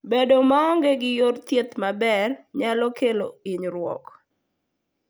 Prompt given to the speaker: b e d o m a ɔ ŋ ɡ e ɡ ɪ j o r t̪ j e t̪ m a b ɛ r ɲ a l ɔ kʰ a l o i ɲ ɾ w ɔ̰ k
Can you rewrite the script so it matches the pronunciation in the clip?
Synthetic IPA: b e d o m a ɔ ŋ ɡ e ɡ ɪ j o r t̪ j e t̪ m a b ɛ r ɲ a l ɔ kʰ e l o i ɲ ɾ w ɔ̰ k